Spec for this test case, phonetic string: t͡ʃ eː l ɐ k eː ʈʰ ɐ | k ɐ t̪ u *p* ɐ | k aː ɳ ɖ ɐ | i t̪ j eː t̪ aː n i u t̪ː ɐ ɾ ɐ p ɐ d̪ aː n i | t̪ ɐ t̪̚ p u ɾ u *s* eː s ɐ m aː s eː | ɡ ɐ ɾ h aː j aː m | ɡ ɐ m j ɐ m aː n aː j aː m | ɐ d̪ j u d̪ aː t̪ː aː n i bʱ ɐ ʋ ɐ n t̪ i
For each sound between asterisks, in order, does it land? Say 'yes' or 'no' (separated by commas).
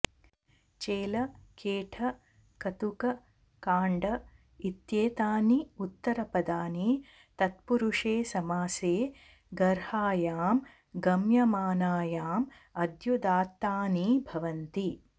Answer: no, no